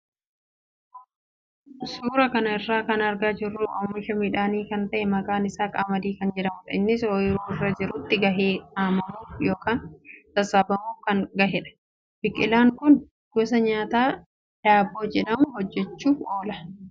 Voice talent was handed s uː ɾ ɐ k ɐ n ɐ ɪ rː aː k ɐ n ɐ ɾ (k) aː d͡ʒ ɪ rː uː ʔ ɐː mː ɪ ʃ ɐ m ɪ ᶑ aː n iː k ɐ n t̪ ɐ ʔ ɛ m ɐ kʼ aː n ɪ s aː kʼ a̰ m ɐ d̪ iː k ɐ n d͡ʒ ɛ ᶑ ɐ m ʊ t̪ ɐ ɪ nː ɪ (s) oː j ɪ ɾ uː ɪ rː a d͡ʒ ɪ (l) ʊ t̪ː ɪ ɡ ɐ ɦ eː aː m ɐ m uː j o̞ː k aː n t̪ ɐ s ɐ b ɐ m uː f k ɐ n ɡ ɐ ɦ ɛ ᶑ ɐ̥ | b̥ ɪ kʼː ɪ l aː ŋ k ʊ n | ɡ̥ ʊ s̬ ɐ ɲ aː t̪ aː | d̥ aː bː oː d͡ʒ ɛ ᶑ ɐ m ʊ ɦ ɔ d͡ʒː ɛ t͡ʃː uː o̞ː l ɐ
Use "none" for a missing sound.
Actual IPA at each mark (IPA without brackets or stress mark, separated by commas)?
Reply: ɡ, s, ɾ